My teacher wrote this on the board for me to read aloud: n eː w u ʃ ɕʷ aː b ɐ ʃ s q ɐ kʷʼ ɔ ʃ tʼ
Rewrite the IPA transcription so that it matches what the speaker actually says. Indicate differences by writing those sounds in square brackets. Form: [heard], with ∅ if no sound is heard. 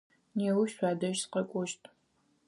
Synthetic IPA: n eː w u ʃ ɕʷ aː [d] ɐ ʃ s q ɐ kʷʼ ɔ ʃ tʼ